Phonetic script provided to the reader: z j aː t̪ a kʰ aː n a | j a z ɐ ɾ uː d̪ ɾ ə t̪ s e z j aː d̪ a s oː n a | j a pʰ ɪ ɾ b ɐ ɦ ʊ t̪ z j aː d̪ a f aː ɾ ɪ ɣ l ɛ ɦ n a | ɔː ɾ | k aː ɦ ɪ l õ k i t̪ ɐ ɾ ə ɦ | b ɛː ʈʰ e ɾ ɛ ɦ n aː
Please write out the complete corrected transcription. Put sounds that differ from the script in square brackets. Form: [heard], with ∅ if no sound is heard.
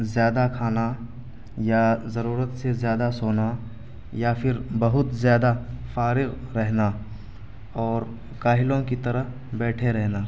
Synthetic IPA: z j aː [d̪] a kʰ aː n a | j a z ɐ ɾ uː [∅] ɾ ə t̪ s e z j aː d̪ a s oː n a | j a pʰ ɪ ɾ b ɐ ɦ ʊ t̪ z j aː d̪ a f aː ɾ ɪ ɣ [ɾ] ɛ ɦ n a | ɔː ɾ | k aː ɦ ɪ l õ k i t̪ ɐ ɾ ə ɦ | b ɛː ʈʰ e ɾ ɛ ɦ n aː